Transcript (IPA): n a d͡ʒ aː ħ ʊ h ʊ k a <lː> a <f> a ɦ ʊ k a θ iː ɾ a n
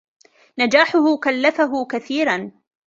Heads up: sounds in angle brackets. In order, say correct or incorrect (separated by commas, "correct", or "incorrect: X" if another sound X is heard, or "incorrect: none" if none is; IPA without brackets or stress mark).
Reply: correct, correct